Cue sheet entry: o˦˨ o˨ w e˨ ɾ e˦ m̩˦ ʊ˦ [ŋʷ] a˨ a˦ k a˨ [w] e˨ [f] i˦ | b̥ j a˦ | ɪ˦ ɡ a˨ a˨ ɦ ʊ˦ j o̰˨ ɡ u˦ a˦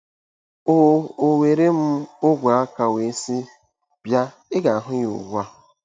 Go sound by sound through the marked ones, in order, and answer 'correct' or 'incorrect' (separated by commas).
incorrect, correct, incorrect